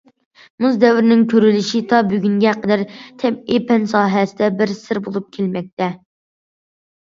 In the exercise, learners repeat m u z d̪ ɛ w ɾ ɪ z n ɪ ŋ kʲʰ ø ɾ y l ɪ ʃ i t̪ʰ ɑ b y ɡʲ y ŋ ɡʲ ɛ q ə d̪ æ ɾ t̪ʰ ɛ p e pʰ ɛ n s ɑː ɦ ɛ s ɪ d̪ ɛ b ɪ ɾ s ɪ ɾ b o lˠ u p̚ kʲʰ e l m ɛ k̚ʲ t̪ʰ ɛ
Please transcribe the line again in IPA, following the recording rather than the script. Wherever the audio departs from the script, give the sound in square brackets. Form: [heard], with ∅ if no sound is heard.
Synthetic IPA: m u z d̪ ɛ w ɾ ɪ [∅] n ɪ ŋ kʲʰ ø ɾ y l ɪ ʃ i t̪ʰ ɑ b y ɡʲ y ŋ ɡʲ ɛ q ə d̪ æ ɾ t̪ʰ ɛ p e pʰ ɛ n s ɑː ɦ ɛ s ɪ d̪ ɛ b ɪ ɾ s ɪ ɾ b o lˠ u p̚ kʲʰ e l m ɛ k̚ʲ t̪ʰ ɛ